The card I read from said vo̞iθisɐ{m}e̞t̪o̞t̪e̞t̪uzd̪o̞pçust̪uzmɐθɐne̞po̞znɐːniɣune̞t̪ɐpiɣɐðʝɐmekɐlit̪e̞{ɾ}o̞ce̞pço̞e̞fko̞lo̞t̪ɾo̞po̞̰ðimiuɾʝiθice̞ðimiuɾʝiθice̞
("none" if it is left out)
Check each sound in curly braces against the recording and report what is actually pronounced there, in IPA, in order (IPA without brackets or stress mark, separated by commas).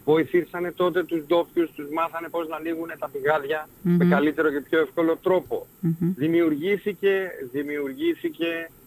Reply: n, ɾ